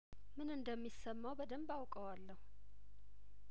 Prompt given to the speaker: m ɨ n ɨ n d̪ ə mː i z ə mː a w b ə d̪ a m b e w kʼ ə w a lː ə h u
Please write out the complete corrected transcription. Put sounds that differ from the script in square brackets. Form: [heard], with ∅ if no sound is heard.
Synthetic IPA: m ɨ n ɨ n d̪ ə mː i [s] ə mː a w b ə d̪ [ə] m b [a] w kʼ ə w a lː ə h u